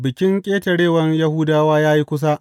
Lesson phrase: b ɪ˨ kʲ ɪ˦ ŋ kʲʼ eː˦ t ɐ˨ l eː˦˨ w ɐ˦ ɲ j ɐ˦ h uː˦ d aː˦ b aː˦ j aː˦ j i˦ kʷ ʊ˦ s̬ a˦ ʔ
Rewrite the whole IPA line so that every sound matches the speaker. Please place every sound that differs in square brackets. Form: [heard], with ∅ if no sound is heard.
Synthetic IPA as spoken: b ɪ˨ kʲ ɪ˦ ŋ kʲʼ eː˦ t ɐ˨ [ɽ] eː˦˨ w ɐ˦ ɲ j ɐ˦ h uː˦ d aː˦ [w] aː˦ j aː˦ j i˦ kʷ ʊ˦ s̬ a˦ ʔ